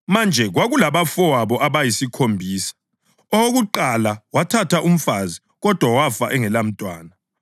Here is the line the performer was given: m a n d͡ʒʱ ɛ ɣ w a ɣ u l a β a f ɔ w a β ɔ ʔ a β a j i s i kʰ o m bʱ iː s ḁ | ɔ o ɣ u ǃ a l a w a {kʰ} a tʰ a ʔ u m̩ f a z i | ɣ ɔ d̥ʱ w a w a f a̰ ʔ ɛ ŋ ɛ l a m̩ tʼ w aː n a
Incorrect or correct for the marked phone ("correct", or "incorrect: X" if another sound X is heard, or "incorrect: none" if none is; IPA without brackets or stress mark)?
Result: incorrect: tʰ